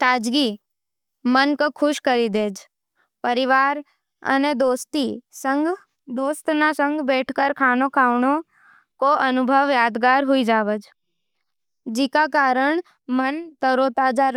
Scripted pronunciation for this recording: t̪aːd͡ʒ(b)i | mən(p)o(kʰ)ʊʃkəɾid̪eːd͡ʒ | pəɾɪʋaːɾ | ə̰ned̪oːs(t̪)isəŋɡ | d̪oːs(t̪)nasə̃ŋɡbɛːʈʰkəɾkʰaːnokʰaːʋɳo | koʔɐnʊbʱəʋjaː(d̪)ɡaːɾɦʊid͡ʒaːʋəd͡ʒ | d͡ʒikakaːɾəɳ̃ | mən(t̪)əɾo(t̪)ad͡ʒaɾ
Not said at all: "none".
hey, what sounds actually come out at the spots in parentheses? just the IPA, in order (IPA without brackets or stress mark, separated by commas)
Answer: ɡ, k, kʰ, t̪, t̪, d̪, t̪, t̪